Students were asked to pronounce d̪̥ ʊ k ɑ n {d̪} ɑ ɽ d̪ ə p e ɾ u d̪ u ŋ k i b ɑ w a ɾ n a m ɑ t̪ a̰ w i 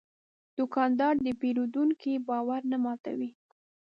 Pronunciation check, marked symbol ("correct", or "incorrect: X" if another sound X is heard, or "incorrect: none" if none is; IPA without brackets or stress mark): correct